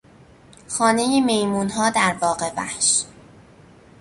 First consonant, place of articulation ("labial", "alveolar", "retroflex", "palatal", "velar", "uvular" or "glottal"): velar